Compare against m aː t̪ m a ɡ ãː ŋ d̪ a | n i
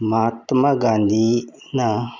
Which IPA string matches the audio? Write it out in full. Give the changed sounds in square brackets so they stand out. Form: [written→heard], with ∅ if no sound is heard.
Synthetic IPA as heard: m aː t̪ m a ɡ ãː [ŋ→n] d̪ [a→i] | n [i→a]